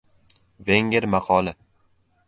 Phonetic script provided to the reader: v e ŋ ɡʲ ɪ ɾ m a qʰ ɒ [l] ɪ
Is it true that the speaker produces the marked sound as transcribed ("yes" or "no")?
yes